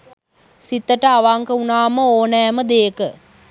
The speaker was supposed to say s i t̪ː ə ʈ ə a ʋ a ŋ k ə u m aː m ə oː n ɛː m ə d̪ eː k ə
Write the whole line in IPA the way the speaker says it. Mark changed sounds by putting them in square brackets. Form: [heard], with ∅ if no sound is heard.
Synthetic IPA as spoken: s i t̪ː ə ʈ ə a ʋ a ŋ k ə u [n] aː m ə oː n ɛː m ə d̪ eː k ə